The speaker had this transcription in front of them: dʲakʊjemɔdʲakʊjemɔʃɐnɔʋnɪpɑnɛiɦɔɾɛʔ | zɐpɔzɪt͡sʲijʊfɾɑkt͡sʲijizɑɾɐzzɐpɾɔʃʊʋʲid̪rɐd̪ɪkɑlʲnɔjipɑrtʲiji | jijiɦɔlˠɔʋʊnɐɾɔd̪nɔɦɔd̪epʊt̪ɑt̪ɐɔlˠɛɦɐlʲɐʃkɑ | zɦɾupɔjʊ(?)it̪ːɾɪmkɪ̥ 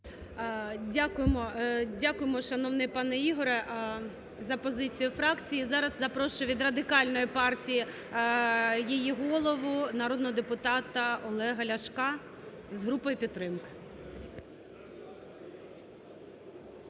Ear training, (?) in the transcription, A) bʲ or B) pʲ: B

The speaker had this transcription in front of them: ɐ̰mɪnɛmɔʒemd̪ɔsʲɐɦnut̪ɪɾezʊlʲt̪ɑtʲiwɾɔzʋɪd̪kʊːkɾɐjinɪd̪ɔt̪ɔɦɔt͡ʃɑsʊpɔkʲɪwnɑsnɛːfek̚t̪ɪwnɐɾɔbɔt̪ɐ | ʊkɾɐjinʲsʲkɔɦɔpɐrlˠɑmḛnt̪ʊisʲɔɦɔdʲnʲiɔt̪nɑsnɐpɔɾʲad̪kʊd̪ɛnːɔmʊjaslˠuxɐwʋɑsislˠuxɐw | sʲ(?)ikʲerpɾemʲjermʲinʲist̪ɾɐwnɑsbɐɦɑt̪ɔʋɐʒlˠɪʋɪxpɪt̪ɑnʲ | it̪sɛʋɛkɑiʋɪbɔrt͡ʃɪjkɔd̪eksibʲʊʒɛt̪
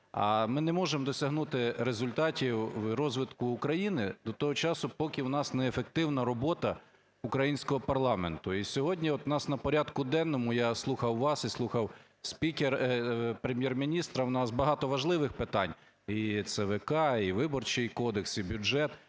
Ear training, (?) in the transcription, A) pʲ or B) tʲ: A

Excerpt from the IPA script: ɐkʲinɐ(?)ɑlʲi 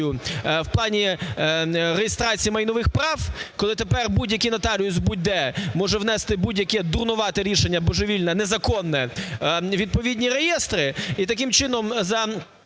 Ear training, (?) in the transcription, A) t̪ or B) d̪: A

